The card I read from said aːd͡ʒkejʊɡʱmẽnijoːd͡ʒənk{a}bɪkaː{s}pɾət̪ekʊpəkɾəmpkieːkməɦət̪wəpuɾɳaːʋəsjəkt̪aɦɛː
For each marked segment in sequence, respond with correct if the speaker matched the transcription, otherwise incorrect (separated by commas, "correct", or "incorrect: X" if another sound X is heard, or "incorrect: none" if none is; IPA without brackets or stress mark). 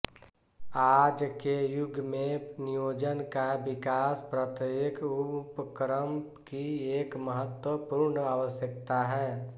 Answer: correct, correct